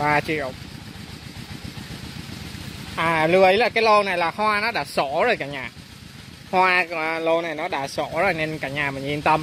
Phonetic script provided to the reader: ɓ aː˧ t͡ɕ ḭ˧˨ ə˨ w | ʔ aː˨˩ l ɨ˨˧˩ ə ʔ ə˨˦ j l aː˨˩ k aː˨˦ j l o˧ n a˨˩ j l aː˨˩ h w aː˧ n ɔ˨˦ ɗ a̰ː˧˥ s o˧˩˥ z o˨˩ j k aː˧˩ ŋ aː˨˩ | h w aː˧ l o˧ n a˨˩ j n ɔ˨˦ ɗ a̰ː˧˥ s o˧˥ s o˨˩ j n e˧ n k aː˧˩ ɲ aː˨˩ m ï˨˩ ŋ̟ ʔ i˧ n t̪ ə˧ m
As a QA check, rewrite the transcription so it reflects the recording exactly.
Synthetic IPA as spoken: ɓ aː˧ t͡ɕ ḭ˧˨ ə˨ w | ʔ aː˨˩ l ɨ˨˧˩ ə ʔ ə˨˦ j l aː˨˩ k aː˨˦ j l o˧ n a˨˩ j l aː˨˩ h w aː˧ n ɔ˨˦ ɗ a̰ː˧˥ s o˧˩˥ z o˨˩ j k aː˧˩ ɲ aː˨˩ | h w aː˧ l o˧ n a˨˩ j n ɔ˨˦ ɗ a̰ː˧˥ s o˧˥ z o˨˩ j n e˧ n k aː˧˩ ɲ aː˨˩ m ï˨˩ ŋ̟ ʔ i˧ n t̪ ə˧ m